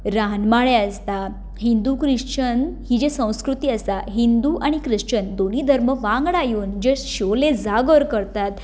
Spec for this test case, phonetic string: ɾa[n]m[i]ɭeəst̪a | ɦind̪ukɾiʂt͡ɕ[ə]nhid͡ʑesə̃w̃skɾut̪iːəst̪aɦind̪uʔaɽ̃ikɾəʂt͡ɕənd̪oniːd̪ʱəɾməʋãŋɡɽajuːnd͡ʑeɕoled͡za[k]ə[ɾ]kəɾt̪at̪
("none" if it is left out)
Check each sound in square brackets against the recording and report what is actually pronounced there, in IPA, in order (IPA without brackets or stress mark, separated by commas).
n, a, ə, ɡ, ɾ